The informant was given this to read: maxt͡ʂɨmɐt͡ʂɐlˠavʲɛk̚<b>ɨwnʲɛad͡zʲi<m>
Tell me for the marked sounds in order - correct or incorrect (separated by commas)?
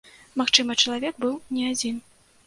correct, incorrect